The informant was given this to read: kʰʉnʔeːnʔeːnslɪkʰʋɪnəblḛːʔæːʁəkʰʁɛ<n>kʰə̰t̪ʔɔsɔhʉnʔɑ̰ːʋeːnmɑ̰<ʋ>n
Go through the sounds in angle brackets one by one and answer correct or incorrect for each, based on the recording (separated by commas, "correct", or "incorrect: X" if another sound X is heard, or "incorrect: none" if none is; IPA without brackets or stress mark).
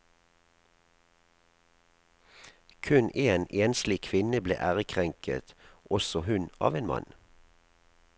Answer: incorrect: ŋ, incorrect: none